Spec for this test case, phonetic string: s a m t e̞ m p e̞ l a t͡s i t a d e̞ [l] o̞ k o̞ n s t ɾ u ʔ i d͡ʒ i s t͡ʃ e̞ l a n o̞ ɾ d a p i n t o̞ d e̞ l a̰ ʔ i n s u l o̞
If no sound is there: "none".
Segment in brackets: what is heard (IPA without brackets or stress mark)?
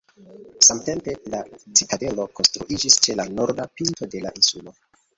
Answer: l